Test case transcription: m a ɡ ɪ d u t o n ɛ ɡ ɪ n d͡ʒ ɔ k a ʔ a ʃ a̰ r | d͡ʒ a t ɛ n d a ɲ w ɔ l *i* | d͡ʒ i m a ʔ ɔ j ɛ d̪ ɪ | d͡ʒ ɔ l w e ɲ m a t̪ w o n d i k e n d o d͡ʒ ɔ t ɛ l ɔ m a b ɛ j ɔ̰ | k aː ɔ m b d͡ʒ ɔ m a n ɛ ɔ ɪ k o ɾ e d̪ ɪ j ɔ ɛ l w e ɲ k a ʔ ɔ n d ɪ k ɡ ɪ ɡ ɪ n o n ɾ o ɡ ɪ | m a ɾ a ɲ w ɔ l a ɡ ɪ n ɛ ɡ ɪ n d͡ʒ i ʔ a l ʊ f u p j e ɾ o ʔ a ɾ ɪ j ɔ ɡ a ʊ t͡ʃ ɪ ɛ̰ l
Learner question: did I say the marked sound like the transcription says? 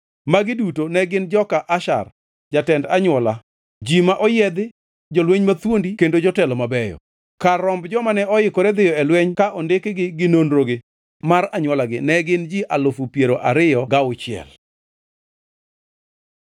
no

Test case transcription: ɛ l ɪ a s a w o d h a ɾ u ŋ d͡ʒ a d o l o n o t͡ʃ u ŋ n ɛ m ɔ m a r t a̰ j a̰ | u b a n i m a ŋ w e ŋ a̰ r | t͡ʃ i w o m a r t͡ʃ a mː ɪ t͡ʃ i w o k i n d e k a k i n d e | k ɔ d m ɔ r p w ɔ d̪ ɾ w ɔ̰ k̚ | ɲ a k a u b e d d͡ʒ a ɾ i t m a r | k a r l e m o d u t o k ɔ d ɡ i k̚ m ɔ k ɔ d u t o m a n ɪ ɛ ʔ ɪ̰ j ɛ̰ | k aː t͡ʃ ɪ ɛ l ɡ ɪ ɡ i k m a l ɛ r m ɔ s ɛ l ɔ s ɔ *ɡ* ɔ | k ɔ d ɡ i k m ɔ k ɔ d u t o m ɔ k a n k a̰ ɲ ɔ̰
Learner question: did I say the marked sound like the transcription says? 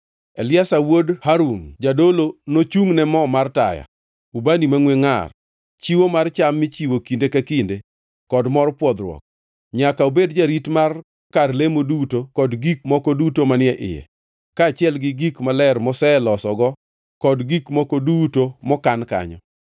yes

